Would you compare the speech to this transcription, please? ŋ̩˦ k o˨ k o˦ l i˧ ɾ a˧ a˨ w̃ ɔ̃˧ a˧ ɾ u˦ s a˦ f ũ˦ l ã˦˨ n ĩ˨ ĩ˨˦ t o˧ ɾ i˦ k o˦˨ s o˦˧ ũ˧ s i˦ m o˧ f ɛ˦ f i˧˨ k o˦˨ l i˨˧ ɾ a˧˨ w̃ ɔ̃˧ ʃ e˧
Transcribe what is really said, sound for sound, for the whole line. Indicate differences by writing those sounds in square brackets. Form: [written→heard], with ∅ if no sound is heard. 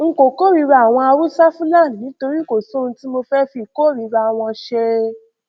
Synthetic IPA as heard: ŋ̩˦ k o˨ k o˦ [l→ɾ] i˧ ɾ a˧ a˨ w̃ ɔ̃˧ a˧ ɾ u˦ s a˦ f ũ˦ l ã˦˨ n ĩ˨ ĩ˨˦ t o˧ ɾ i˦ k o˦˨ s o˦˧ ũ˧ [s→t] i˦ m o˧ f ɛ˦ f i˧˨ k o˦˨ [l→ɾ] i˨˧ ɾ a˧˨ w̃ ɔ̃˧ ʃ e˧

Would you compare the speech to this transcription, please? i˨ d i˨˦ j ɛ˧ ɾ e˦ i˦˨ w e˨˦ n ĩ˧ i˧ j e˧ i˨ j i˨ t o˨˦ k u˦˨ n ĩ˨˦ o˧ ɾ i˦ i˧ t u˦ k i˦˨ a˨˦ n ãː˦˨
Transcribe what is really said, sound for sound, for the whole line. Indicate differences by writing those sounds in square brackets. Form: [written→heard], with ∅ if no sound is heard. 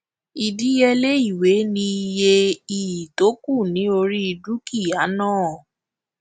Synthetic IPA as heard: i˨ d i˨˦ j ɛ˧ [ɾ→l] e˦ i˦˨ w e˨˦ n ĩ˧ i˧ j e˧ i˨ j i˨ t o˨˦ k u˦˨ n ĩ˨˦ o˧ ɾ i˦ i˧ [t→d] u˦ k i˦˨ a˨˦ n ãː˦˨

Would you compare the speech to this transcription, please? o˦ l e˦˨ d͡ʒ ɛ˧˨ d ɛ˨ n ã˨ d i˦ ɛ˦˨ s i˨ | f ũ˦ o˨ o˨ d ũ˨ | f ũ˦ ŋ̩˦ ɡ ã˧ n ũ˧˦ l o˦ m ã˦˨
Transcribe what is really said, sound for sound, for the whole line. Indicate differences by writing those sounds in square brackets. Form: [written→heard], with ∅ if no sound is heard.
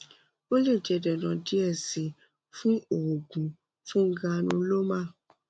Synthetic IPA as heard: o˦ l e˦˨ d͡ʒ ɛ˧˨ d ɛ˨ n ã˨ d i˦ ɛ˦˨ s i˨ | f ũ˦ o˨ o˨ [d→ɡ] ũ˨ | f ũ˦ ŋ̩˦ ɡ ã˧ n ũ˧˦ l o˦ m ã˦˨

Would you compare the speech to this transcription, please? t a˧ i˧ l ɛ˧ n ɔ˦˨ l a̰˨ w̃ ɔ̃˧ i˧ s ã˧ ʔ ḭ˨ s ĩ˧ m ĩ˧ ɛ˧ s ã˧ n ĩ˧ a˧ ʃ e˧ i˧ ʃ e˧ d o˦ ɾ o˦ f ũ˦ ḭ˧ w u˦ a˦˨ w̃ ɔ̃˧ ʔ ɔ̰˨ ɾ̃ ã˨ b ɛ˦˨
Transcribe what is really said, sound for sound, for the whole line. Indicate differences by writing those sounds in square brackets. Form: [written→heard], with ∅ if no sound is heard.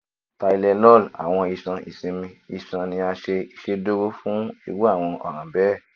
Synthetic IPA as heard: t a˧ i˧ l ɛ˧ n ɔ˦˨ l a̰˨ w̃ ɔ̃˧ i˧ s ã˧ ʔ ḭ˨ s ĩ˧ m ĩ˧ [ɛ˧→i˧] s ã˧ n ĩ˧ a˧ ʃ e˧ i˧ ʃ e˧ d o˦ ɾ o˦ f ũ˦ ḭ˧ w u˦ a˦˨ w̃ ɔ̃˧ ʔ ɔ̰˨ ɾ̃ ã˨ b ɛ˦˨

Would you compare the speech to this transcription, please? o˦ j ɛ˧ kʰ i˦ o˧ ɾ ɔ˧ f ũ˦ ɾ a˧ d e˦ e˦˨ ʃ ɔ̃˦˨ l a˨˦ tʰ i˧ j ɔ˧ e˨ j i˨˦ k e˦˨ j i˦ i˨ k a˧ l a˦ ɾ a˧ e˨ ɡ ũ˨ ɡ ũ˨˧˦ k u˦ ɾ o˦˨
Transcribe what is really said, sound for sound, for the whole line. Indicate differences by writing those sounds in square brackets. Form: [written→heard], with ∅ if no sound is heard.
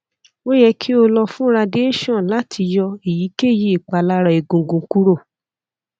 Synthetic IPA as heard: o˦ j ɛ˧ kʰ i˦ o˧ [ɾ→l] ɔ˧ f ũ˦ ɾ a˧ d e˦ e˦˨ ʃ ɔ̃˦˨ l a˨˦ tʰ i˧ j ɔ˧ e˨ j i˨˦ k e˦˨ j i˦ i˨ [k→k͡p] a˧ l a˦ ɾ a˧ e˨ ɡ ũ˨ ɡ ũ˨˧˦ k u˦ ɾ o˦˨

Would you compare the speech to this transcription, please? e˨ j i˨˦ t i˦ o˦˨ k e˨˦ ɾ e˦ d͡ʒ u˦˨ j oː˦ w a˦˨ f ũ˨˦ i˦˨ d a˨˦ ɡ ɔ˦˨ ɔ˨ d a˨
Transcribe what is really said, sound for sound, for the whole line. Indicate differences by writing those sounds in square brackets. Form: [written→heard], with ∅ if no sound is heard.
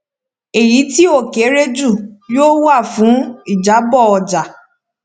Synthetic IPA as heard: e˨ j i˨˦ t i˦ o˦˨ k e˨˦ ɾ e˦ d͡ʒ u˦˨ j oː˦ w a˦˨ f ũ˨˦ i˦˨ [d→d͡ʒ] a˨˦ [ɡ→b] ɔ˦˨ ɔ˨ [d→d͡ʒ] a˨

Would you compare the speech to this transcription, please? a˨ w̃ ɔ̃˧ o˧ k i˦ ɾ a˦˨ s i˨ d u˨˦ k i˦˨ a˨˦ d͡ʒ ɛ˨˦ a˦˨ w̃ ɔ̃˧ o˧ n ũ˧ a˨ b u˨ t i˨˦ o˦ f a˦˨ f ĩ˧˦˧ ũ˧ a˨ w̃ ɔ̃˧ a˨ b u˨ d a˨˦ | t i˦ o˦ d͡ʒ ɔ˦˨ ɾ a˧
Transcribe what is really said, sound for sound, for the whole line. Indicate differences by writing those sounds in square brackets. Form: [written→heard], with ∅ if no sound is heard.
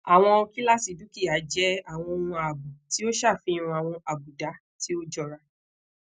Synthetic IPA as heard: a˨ w̃ ɔ̃˧ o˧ k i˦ [ɾ→l] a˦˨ s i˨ d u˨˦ k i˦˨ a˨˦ d͡ʒ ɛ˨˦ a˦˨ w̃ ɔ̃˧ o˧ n ũ˧ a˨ b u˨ t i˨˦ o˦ [f→ʃ] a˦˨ f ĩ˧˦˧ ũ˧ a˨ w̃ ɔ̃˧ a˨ b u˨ d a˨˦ | t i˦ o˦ d͡ʒ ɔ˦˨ ɾ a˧

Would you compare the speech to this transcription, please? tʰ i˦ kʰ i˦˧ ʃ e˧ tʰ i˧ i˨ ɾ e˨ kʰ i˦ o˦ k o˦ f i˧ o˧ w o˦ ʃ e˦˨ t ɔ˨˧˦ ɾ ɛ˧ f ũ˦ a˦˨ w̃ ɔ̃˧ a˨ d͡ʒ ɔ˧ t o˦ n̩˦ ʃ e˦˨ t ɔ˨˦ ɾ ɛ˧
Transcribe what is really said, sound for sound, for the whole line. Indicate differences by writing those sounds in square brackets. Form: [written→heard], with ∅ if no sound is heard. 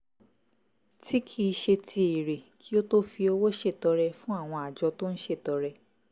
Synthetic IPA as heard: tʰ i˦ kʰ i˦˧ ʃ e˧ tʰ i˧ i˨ ɾ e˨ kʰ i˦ o˦ [k→t] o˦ f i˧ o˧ w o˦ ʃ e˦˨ t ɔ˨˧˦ ɾ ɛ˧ f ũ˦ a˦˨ w̃ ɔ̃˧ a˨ d͡ʒ ɔ˧ t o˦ n̩˦ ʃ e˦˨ t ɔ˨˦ ɾ ɛ˧

